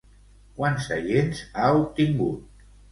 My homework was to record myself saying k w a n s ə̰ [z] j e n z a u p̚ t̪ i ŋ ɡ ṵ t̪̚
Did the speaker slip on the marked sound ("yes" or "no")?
yes